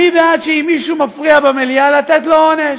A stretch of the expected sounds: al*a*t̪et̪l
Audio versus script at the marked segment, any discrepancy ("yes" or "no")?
no